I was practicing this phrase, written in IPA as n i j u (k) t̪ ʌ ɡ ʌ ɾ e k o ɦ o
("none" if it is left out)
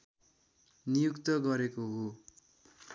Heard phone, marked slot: k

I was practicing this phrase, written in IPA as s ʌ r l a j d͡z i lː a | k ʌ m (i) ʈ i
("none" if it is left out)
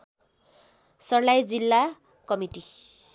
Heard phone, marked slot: i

